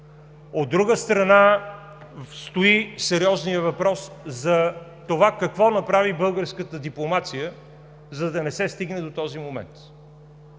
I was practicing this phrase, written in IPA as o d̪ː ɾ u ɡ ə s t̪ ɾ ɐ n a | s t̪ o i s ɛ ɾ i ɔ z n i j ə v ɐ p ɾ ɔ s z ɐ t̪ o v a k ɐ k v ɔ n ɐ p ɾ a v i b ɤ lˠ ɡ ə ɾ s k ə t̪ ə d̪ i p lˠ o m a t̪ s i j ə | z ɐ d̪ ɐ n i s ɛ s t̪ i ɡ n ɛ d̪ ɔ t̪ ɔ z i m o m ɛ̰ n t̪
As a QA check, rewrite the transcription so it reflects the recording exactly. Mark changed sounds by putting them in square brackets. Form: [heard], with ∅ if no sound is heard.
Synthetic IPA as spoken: o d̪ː ɾ u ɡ ə s t̪ ɾ ɐ n a | s t̪ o i s ɛ ɾ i ɔ z n i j ə v ɐ p ɾ ɔ s z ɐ t̪ o v a k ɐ k v ɔ n ɐ p ɾ a v i b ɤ lˠ ɡ ə ɾ s k ə t̪ ə d̪ i p lˠ o m a t̪ s i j ə | z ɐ d̪ ɐ n [ɛ] s ɛ s t̪ i ɡ n ɛ d̪ [o] t̪ ɔ z i m o m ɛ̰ n t̪